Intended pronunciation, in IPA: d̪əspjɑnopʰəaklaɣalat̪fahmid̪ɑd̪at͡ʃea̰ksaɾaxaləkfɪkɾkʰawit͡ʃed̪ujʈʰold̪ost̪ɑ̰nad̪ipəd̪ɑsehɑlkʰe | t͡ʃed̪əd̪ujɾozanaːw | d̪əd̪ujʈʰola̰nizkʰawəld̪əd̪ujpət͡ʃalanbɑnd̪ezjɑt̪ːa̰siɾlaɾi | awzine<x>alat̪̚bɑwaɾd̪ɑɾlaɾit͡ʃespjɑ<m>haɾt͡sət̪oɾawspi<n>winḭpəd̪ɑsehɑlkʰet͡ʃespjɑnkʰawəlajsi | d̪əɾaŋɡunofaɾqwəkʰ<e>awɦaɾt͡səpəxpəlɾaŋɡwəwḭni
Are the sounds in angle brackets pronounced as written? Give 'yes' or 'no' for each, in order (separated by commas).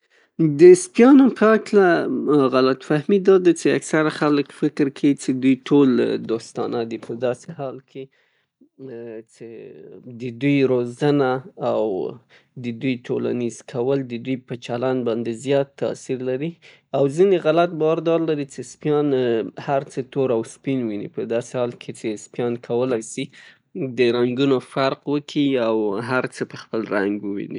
no, no, yes, no